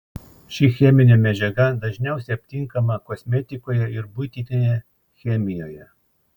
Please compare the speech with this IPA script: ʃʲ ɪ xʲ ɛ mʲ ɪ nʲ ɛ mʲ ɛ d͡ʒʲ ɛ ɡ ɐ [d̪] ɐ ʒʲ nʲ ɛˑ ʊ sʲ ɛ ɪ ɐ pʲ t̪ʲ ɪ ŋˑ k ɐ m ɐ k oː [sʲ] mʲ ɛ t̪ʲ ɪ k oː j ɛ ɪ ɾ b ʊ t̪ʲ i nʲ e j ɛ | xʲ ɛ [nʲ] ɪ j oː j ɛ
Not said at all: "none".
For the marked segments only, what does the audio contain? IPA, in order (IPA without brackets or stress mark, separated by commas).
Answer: d̪, sʲ, mʲ